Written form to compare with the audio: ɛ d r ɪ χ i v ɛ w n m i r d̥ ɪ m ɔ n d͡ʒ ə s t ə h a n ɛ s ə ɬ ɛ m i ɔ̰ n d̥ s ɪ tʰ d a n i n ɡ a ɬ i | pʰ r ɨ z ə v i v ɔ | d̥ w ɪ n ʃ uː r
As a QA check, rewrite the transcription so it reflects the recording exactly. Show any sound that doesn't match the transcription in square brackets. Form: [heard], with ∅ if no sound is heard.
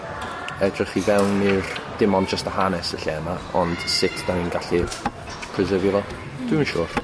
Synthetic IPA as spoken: ɛ d r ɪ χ i v ɛ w n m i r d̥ ɪ m ɔ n d͡ʒ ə s t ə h a n ɛ s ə ɬ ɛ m [a] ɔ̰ n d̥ s ɪ tʰ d a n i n ɡ a ɬ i | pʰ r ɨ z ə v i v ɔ | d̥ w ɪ n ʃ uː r